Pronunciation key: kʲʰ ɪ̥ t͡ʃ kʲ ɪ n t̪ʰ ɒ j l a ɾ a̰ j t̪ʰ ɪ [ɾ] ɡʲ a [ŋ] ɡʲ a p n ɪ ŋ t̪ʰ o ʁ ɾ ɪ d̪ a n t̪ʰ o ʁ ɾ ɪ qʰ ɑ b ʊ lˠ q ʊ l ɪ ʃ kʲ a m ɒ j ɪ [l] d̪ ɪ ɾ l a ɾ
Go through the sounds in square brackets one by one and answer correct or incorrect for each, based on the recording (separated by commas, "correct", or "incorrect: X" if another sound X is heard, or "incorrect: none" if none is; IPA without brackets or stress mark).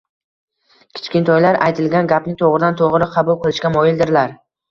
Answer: incorrect: l, incorrect: n, correct